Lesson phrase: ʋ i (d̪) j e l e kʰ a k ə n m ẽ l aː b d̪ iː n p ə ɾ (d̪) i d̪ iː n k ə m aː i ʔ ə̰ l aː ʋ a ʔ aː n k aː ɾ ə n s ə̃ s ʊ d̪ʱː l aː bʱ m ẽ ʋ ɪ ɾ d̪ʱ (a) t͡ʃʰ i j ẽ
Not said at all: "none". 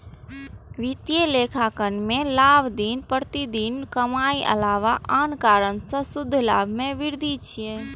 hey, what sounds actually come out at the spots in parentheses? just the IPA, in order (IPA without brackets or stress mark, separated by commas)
t̪, t̪, i